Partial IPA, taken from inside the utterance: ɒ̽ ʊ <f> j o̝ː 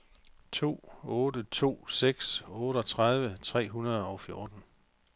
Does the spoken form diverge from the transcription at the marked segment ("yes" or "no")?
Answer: no